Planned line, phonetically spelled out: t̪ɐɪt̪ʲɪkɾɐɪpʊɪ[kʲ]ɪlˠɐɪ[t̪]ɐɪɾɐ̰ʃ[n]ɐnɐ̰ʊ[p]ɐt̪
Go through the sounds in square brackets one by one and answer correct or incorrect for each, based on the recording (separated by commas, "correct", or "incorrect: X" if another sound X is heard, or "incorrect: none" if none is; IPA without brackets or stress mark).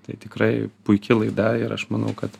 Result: correct, incorrect: d̪, incorrect: m, incorrect: k